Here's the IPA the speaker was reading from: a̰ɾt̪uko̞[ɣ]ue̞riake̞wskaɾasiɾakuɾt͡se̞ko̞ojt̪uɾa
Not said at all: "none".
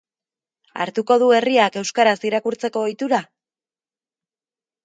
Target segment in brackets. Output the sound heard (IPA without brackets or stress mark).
ð